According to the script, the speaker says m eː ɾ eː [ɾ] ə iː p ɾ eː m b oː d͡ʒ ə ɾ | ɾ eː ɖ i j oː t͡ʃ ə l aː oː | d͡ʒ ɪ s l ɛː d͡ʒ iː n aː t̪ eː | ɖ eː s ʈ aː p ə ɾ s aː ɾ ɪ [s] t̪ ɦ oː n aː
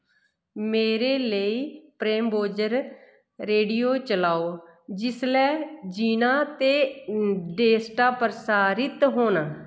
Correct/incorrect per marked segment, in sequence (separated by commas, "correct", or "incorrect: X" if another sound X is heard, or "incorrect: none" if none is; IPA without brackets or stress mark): incorrect: l, incorrect: none